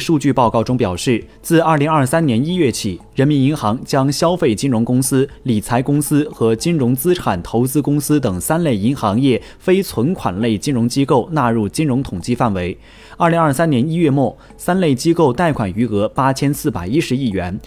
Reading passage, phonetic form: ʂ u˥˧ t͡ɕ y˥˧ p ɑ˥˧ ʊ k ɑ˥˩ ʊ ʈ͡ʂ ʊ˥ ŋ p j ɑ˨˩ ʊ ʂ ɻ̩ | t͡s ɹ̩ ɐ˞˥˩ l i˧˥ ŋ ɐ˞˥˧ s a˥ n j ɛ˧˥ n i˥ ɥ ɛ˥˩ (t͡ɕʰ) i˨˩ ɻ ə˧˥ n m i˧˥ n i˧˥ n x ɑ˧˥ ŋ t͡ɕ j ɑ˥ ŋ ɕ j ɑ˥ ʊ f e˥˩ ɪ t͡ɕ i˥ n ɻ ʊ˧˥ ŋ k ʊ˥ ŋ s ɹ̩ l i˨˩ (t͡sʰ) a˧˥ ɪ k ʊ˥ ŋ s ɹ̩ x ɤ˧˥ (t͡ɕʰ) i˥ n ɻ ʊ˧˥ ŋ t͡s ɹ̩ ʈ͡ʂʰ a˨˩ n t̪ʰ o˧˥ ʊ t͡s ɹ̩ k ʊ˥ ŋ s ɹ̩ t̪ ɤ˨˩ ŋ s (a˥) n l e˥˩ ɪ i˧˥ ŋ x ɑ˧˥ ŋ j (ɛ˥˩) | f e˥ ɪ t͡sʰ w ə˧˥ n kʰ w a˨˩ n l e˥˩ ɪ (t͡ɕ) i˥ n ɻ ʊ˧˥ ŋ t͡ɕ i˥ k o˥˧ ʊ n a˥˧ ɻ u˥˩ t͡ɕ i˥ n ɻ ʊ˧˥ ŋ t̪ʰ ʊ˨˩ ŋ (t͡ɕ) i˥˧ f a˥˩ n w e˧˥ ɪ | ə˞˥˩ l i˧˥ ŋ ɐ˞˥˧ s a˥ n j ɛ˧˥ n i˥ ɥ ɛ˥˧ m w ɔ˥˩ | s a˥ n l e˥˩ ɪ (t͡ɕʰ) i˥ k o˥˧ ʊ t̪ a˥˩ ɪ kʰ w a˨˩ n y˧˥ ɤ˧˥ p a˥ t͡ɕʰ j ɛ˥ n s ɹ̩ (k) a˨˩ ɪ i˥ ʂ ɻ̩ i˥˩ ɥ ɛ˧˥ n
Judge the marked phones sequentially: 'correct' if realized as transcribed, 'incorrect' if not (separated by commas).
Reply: correct, correct, incorrect, correct, correct, correct, correct, incorrect, incorrect